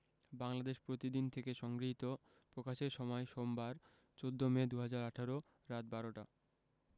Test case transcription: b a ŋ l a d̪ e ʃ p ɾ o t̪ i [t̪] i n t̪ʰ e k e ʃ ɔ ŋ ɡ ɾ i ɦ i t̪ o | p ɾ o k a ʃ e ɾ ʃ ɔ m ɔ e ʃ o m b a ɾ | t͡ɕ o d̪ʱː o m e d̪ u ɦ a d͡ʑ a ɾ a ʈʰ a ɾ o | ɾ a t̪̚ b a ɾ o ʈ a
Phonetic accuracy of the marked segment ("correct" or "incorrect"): incorrect